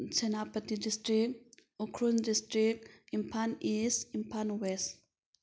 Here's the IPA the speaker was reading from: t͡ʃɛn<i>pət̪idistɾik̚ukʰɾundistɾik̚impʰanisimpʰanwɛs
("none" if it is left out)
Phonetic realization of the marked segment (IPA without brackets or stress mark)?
a